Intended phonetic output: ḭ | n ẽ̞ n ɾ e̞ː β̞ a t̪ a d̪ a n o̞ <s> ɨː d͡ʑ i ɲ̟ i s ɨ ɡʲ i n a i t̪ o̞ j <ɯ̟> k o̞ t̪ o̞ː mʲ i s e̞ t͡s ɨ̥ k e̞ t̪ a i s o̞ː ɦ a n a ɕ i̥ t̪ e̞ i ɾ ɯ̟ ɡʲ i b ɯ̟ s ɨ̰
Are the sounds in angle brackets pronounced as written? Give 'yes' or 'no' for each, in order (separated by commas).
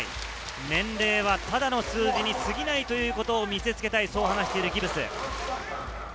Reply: yes, no